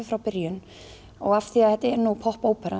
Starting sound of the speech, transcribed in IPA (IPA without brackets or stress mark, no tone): f